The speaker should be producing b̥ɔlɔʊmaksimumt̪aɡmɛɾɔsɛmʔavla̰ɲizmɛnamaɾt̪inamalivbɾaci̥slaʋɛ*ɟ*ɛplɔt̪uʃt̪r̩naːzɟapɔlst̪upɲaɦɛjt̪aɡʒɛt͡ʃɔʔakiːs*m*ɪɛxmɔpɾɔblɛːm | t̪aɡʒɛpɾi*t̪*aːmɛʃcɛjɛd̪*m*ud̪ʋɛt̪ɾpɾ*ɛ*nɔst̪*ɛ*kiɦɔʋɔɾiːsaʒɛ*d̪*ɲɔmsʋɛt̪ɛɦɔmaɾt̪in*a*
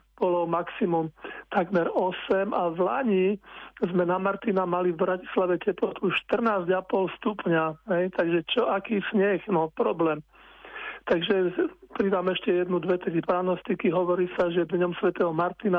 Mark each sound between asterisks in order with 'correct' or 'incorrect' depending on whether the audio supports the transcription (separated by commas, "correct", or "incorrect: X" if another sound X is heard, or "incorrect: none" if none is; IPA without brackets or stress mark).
incorrect: c, incorrect: ɲ, incorrect: d̪, incorrect: n, incorrect: a, incorrect: i, correct, correct